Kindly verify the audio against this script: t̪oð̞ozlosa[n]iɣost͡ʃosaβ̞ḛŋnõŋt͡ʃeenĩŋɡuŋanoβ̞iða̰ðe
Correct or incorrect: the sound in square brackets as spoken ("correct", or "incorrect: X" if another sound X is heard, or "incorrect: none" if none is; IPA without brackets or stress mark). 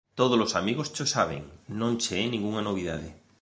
incorrect: m